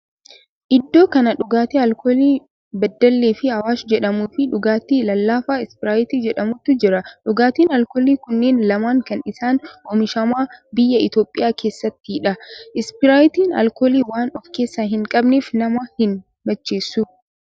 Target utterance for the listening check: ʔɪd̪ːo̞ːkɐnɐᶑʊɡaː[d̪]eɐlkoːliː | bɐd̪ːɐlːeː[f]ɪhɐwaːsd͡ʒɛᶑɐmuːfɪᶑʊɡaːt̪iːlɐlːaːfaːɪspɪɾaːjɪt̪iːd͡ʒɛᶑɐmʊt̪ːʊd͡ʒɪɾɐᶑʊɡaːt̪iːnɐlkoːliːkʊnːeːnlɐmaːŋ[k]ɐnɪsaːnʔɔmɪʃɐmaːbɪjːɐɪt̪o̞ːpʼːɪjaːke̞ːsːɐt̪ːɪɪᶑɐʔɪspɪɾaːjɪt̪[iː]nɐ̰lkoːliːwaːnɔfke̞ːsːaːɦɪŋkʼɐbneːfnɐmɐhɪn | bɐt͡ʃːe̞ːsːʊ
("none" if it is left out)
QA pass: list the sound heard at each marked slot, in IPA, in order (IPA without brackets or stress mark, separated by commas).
t̪, f, k, iː